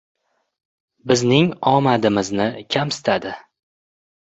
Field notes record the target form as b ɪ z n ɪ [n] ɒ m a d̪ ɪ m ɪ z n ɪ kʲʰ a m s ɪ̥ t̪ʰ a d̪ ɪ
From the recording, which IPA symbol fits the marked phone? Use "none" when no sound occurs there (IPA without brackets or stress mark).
ŋ